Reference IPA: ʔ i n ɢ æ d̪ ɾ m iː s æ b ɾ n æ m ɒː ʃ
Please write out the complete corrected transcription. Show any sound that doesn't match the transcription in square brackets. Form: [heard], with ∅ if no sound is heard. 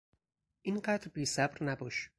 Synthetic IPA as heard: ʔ i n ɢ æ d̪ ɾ [b] iː s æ b ɾ n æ [b] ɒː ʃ